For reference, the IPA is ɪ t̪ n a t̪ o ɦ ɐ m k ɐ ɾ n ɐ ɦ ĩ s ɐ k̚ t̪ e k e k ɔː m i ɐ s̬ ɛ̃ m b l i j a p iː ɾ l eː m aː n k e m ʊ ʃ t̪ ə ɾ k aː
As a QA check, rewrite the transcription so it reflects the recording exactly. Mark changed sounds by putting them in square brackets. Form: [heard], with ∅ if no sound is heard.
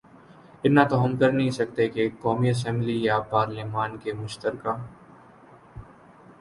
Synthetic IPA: ɪ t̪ n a t̪ o ɦ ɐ m k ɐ ɾ n ɐ ɦ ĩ s ɐ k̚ t̪ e k e k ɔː m i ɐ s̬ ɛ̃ m b l i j a p [aː] ɾ l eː m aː n k e m ʊ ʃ t̪ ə ɾ k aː